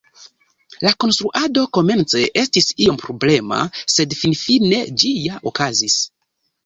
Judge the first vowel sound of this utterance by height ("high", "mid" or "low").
low